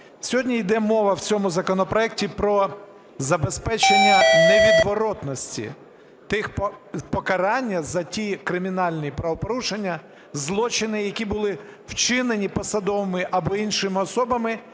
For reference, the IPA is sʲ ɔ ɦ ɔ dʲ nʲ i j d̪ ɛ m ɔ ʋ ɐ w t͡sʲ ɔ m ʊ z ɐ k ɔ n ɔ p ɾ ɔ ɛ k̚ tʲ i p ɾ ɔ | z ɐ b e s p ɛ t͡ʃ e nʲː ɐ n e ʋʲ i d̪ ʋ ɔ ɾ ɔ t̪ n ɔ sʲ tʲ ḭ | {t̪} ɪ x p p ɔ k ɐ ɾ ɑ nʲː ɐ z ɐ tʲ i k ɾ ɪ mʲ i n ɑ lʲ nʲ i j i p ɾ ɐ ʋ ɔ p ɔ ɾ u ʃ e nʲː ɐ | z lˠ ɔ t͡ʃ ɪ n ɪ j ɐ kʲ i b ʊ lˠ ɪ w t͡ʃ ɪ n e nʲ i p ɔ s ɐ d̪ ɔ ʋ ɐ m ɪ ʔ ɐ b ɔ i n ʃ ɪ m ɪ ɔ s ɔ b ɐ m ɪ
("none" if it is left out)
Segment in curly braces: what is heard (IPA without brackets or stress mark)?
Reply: t̪